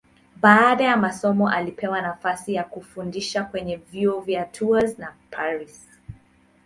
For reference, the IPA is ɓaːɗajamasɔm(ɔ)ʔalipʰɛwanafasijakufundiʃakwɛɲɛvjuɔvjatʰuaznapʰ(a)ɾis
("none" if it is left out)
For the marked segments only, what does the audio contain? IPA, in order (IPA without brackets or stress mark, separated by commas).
ɔ, a